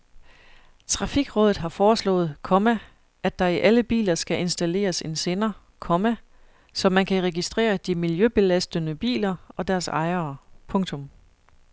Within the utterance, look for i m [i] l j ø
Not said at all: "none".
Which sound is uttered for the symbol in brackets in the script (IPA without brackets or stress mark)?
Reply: i